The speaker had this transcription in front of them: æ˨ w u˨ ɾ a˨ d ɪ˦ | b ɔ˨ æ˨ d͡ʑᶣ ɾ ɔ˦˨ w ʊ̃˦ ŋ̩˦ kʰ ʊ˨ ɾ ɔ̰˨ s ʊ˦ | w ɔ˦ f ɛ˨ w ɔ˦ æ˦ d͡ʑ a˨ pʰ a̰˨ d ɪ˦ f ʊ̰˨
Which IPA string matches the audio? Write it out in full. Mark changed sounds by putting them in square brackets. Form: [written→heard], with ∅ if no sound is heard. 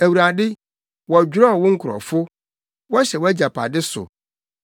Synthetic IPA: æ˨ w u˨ ɾ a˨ d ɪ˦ | [b→w] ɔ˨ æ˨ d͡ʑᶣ ɾ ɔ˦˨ w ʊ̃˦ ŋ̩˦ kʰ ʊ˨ ɾ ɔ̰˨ [s→f] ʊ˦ | w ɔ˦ [f→ɕ] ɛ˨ w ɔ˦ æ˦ d͡ʑ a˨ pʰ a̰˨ d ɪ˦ [f→s] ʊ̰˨